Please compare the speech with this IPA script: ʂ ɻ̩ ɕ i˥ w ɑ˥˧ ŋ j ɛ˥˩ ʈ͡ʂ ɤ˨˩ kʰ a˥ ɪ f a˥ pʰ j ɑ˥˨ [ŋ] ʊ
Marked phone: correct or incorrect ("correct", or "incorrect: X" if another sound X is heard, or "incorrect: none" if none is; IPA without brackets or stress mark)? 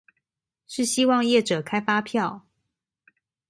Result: incorrect: none